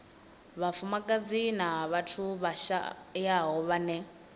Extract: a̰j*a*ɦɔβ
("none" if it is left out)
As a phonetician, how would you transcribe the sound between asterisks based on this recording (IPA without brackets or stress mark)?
a